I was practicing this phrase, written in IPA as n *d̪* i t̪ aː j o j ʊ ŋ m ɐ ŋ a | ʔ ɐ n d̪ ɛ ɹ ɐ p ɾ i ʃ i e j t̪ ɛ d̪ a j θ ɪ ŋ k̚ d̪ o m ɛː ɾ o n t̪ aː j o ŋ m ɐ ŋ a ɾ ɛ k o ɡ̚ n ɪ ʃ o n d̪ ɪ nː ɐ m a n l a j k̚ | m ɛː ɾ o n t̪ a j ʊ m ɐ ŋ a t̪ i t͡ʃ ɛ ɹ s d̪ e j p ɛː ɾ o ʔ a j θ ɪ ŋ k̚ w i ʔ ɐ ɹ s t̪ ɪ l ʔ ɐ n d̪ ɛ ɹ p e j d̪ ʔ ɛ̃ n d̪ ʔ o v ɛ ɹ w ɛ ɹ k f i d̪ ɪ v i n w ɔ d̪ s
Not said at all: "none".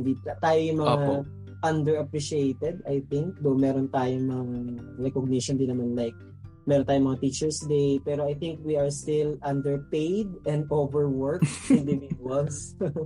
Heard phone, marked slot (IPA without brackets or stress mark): d̪